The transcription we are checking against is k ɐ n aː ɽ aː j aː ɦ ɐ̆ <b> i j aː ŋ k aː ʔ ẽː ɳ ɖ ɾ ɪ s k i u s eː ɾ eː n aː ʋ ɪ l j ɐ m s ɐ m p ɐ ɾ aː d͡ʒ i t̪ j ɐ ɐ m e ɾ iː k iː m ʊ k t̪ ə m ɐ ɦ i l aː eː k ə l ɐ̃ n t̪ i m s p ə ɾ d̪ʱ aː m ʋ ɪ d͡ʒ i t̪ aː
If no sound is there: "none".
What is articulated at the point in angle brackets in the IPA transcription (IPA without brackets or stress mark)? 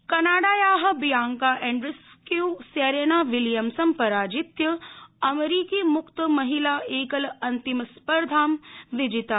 b